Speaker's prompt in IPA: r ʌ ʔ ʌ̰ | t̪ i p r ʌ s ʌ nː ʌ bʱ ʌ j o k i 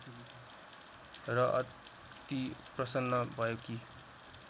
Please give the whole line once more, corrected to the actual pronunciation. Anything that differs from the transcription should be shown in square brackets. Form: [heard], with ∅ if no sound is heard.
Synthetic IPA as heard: r ʌ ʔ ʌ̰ | t̪ i p r ʌ s ʌ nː ʌ bʱ ʌ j o k i